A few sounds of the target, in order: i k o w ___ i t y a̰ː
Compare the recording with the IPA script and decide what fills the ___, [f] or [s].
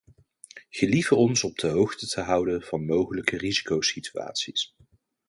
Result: s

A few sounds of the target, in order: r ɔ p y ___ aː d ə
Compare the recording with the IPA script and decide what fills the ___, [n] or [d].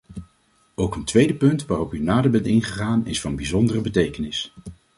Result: n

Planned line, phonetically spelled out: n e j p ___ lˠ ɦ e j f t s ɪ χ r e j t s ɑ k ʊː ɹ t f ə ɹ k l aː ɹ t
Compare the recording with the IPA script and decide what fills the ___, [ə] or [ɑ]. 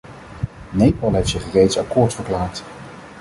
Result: ɑ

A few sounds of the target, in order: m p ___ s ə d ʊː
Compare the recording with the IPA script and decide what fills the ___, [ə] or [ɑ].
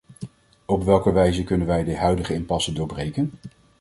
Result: ɑ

